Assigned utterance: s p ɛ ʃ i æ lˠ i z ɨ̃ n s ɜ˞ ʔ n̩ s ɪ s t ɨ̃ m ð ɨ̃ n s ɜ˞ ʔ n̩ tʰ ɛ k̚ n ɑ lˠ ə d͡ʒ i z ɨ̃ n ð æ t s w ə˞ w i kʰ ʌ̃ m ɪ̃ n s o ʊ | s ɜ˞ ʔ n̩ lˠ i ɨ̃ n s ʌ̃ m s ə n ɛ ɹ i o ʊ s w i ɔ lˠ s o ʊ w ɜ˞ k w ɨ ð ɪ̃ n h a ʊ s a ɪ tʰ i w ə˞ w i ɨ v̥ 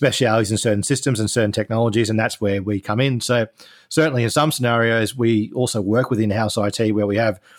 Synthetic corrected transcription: s p ɛ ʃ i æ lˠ i z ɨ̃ n s ɜ˞ ʔ n̩ s ɪ s t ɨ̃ m z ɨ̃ n s ɜ˞ ʔ n̩ tʰ ɛ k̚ n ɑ lˠ ə d͡ʒ i z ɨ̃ n ð æ t s w ə˞ w i kʰ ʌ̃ m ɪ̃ n s o ʊ | s ɜ˞ ʔ n̩ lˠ i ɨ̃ n s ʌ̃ m s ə n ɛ ɹ i o ʊ z w i ɔ lˠ s o ʊ w ɜ˞ k w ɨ ð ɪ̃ n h a ʊ s a ɪ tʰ i w ə˞ w i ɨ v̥